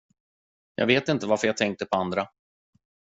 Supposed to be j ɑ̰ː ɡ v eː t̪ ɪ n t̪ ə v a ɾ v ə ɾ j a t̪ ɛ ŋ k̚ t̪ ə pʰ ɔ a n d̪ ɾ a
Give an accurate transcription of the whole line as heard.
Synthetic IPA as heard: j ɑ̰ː ɡ v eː t̪ ɪ n t̪ ə v a ɾ f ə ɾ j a t̪ʰ ɛ ŋ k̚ t̪ ə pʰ ɔ a n d̪ ɾ a